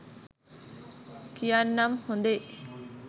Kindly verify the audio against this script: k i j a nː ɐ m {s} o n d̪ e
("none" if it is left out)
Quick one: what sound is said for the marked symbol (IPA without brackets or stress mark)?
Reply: h